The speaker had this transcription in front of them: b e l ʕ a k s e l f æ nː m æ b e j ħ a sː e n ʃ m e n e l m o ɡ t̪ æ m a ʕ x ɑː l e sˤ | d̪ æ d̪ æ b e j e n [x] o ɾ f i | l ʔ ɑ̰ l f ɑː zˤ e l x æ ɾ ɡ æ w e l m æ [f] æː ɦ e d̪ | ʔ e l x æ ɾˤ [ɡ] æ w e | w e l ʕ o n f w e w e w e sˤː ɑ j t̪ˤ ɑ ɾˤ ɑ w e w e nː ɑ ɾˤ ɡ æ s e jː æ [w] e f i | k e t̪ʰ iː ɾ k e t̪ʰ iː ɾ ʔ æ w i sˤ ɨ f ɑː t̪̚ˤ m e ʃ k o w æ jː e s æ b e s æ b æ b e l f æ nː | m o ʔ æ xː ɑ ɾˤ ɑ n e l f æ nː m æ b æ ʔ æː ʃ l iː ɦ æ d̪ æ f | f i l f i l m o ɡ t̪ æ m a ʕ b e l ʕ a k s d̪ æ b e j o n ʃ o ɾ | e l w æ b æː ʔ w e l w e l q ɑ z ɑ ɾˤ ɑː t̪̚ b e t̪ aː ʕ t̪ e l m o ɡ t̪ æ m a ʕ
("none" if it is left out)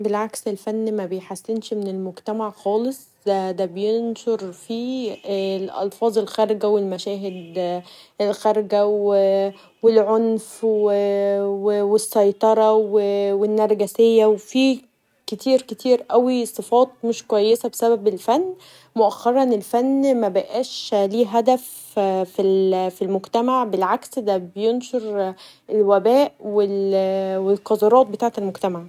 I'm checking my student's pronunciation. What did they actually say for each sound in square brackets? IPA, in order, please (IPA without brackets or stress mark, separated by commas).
ʃ, ʃ, ɡ, w